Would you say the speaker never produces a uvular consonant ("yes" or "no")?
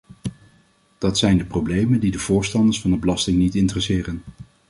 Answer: yes